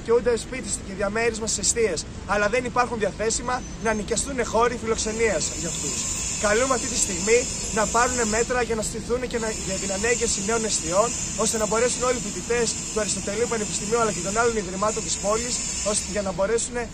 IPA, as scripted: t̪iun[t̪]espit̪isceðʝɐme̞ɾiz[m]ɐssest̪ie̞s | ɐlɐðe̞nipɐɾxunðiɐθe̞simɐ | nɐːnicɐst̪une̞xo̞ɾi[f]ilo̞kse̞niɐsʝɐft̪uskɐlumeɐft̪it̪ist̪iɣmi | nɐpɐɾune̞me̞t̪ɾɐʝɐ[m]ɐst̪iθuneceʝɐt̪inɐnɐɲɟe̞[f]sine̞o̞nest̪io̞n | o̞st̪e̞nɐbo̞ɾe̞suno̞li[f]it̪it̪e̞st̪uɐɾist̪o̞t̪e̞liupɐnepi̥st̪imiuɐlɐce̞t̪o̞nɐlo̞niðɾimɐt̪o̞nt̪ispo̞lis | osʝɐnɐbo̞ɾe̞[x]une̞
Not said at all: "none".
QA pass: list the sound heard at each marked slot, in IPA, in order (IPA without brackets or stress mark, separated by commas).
d̪, m, f, n, f, f, s